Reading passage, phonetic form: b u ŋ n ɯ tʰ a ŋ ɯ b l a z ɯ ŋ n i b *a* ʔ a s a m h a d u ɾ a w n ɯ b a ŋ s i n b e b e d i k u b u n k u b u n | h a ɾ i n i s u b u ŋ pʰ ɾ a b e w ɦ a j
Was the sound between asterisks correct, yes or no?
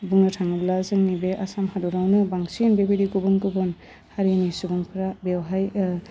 no